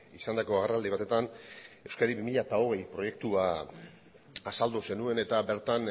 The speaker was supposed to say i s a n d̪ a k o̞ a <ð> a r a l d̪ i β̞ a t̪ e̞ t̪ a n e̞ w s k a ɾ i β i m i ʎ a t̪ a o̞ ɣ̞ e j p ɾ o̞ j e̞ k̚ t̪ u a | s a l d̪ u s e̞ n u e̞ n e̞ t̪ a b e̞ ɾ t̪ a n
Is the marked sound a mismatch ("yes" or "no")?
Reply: yes